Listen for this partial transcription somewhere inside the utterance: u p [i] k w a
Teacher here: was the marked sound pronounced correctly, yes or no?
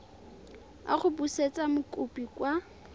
yes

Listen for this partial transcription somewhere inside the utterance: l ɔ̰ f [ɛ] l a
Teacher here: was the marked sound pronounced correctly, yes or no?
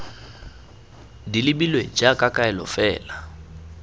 no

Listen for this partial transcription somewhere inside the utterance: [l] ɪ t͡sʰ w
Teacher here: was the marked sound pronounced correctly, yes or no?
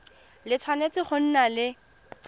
yes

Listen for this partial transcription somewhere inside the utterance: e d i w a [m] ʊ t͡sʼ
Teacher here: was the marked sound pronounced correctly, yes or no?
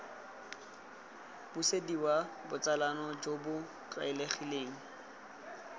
no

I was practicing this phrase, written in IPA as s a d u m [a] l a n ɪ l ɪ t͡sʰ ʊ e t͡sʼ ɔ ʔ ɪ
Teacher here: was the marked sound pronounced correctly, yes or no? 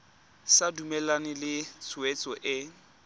no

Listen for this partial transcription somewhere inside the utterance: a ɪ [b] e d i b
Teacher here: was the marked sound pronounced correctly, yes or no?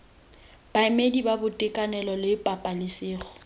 no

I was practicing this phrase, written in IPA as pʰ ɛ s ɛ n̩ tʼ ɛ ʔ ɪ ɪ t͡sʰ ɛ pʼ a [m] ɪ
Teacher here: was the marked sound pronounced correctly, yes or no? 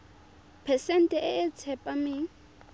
yes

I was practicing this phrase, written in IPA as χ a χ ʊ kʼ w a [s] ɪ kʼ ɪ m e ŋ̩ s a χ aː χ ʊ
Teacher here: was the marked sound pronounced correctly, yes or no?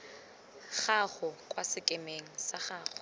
yes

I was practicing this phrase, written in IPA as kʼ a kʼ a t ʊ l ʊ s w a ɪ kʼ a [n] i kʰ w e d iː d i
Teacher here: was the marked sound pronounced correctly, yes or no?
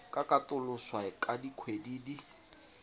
no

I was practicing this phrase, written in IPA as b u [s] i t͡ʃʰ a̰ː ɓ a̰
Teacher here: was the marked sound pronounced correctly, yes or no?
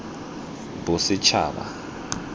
yes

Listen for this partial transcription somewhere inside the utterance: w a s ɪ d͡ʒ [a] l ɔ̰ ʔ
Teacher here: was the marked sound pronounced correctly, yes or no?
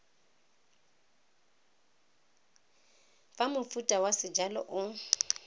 yes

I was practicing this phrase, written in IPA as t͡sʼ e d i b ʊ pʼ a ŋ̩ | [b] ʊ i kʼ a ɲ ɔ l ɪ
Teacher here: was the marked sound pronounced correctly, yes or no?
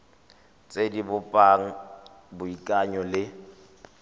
yes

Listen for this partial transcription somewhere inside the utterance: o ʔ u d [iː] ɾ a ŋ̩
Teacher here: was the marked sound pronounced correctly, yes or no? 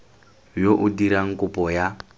no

